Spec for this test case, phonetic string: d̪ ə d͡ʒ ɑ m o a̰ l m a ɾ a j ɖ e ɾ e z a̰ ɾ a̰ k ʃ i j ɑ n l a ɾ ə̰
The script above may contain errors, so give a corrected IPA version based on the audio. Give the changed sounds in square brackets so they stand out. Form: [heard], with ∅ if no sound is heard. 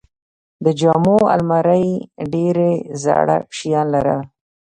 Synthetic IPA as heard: d̪ ə d͡ʒ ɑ m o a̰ l m a ɾ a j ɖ e ɾ e z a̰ [ɽ] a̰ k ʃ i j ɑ n l a ɾ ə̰